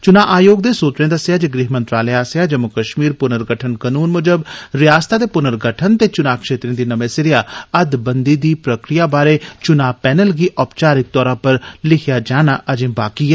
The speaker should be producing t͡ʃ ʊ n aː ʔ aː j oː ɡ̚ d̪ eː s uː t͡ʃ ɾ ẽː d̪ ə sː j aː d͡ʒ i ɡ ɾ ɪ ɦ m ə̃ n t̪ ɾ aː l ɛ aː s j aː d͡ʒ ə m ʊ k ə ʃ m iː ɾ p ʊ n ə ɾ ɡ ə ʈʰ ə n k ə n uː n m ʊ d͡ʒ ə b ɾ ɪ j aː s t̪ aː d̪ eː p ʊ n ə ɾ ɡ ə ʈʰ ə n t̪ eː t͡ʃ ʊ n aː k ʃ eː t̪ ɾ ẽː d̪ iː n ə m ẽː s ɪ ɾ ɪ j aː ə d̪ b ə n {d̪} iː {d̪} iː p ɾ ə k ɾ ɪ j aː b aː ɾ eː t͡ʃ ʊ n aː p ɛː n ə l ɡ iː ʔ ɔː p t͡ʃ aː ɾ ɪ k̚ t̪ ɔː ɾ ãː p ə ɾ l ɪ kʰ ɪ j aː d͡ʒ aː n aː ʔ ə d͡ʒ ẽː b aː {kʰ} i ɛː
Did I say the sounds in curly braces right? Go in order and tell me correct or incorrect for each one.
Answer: correct, correct, incorrect: k

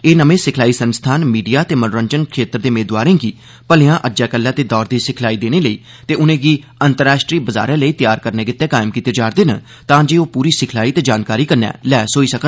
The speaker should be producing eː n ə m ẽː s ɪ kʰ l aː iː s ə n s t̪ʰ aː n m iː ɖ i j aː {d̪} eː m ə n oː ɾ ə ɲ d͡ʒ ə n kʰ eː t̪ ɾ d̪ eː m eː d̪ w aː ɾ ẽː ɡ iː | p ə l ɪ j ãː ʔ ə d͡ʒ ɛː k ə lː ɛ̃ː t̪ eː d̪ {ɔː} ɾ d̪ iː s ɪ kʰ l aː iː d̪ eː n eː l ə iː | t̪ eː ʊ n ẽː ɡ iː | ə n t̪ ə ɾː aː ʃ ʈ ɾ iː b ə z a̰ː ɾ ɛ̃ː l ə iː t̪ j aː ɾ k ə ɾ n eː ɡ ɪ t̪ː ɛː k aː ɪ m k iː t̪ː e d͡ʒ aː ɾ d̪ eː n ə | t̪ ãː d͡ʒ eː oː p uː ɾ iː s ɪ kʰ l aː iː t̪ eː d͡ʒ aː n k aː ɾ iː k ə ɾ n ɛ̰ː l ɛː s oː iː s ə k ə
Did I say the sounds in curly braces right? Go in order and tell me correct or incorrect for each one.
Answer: incorrect: t̪, correct

